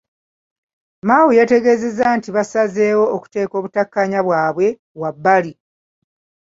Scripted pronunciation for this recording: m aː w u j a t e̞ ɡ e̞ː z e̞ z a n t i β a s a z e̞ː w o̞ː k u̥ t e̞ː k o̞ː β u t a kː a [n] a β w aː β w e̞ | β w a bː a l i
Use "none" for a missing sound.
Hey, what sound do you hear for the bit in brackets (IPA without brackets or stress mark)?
ɲ